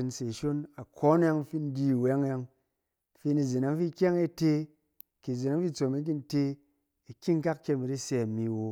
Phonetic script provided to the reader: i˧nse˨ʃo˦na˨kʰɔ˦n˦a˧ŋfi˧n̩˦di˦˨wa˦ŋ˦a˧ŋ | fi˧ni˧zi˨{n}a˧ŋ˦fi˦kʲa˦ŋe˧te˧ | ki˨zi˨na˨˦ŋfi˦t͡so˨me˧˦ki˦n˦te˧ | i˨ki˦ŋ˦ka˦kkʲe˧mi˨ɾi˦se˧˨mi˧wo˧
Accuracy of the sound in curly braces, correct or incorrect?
correct